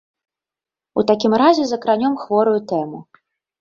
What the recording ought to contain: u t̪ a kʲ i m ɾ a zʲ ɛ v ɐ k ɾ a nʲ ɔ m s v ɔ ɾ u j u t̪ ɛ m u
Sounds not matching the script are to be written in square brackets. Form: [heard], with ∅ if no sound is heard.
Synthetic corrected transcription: u t̪ a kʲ i m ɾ a zʲ ɛ [z] ɐ k ɾ a nʲ ɔ m [x] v ɔ ɾ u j u t̪ ɛ m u